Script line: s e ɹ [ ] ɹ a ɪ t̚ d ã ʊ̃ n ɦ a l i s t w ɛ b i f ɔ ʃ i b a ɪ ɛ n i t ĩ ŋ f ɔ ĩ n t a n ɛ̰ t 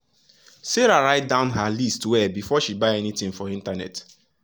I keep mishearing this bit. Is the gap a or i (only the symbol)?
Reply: a